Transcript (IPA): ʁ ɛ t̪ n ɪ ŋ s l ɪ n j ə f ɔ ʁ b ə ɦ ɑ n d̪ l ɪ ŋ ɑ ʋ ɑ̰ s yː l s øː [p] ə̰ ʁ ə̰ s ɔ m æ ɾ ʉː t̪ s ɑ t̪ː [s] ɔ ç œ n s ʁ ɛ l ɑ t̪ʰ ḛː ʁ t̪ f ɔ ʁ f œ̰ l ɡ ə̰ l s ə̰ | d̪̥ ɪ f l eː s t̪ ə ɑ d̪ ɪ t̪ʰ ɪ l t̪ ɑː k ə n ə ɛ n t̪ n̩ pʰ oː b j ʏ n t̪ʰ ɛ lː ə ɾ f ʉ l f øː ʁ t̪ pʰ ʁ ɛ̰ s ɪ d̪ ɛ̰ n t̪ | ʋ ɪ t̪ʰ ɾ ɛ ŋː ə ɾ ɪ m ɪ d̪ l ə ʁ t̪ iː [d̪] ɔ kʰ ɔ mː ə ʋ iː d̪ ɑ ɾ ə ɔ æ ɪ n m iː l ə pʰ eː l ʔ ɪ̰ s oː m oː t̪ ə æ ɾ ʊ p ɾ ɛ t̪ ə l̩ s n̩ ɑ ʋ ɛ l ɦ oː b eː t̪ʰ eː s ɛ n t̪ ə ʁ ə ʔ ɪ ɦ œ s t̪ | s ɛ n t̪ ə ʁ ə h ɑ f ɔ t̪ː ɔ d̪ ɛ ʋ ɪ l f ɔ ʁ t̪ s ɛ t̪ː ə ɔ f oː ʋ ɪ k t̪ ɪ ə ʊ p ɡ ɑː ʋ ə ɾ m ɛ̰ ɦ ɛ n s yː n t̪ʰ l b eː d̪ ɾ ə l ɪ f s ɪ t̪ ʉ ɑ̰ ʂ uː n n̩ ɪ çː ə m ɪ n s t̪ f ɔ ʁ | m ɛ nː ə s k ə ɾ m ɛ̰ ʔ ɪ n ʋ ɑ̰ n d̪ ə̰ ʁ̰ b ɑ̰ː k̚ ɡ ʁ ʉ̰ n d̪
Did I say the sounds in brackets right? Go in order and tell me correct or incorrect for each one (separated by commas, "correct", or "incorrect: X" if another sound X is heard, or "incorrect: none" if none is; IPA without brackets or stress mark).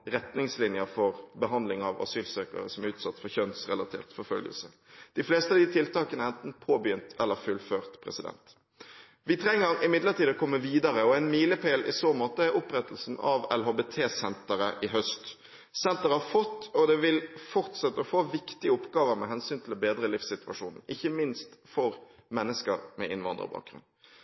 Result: incorrect: k, incorrect: f, correct